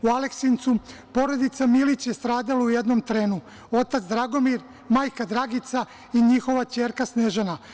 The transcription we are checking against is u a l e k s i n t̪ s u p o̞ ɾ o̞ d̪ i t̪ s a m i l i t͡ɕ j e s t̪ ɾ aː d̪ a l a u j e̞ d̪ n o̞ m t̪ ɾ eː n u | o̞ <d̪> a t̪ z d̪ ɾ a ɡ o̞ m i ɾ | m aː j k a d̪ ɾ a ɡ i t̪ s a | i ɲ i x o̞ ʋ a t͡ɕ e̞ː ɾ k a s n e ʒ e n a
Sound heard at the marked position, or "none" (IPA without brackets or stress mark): t̪